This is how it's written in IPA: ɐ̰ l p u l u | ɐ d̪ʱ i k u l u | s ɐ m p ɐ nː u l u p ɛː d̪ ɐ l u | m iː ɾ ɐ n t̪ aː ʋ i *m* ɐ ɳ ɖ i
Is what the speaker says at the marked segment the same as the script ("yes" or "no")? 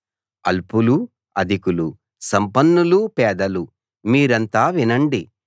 no